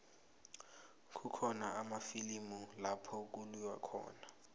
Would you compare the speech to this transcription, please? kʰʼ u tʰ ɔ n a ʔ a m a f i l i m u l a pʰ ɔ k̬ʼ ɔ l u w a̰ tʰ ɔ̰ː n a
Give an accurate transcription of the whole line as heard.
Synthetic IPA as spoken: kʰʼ u kʰ ɔ n a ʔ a m a f i l i m u l a pʰ ɔ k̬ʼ u l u w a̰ kʰ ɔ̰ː n a